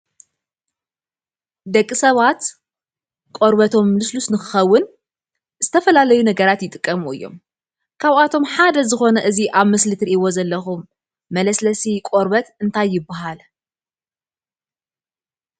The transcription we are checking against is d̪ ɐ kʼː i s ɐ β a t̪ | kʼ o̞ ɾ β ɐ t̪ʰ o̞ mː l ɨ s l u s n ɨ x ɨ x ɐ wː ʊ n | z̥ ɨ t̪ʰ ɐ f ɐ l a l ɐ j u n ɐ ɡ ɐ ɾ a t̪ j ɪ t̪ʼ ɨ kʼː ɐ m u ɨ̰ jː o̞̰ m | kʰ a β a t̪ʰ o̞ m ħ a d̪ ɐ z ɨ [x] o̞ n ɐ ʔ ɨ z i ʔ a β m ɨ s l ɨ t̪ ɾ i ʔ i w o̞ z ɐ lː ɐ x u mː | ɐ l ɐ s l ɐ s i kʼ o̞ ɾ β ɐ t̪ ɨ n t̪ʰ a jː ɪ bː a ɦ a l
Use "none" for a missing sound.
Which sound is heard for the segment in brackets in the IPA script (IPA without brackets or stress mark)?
x